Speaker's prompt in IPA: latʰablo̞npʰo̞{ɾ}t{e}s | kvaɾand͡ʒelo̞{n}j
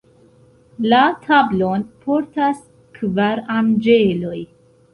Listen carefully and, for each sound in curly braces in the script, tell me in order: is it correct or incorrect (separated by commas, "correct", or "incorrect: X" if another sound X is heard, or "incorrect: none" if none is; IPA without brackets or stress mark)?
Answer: correct, incorrect: a, incorrect: none